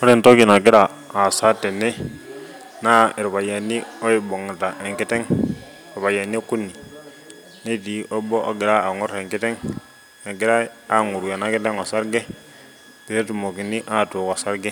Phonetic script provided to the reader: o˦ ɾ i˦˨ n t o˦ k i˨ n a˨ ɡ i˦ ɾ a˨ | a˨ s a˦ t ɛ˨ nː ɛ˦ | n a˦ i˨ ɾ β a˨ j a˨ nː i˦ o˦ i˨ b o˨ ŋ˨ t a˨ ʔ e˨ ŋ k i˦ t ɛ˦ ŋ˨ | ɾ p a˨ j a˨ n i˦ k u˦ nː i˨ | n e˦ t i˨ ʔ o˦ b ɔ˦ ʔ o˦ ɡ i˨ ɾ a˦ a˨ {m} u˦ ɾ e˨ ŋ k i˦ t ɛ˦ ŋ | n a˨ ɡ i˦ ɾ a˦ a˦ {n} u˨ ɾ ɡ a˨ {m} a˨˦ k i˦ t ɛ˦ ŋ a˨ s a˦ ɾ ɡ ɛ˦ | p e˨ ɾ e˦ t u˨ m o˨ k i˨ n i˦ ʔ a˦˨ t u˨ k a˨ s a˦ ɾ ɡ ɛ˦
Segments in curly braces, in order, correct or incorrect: incorrect: ŋ, incorrect: ŋ, incorrect: n

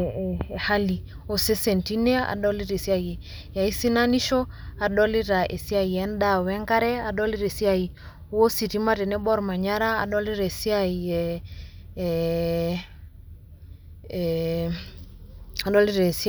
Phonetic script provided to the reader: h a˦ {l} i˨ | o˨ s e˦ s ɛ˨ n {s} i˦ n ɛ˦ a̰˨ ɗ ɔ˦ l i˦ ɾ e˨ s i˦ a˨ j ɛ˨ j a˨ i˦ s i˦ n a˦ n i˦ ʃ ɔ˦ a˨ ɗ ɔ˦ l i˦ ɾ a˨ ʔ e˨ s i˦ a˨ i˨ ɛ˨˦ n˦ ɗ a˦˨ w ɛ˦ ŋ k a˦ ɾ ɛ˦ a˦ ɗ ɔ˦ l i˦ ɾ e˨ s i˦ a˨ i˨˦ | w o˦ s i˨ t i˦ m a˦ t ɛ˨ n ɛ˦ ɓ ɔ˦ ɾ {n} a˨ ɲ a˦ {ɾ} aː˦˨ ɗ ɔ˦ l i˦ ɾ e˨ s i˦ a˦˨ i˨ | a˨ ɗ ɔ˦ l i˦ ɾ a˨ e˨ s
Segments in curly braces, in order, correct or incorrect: correct, incorrect: t, incorrect: m, correct

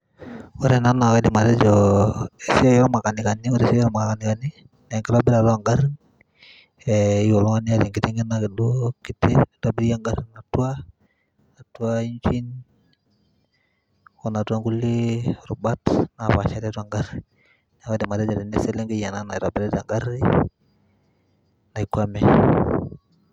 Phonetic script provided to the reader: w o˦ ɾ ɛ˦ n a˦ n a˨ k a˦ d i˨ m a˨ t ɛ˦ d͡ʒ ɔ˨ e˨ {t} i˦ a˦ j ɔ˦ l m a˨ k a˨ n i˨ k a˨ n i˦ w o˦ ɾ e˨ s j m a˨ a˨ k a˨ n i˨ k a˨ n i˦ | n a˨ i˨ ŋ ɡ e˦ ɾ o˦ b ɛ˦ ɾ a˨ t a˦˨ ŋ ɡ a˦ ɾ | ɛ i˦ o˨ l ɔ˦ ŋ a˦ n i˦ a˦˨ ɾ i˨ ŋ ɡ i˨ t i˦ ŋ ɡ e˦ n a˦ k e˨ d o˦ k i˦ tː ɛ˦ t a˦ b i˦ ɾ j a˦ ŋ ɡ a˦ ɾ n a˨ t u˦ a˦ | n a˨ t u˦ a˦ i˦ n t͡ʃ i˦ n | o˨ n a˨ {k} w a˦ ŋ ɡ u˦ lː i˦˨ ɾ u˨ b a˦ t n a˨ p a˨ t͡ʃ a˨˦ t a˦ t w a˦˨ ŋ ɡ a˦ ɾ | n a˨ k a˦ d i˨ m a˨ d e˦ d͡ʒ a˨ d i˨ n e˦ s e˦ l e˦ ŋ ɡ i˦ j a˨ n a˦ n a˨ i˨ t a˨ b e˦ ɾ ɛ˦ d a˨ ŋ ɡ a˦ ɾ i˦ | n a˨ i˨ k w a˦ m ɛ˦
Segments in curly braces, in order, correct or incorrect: incorrect: s, incorrect: t

